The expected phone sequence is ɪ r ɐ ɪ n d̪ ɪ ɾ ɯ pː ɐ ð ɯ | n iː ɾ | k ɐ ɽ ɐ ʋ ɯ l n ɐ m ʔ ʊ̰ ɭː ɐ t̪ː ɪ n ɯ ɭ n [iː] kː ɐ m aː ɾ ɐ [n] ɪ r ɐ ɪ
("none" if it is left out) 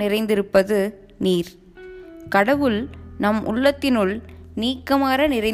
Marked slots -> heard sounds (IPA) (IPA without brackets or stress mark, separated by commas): iː, n